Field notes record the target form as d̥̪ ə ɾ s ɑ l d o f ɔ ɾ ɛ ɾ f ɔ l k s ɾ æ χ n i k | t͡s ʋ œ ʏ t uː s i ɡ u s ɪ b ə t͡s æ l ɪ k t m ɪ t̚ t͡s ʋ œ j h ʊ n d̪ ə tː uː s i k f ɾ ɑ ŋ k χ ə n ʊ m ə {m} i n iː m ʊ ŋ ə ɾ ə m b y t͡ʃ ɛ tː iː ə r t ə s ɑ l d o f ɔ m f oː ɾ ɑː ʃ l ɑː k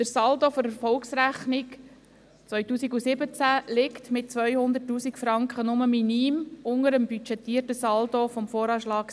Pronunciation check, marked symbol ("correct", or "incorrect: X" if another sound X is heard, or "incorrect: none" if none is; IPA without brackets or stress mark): correct